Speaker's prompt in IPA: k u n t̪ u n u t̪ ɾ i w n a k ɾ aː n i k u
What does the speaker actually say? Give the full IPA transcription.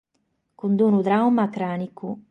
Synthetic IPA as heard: k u n d̪ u n u d̪ ɾ a w m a k ɾ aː n i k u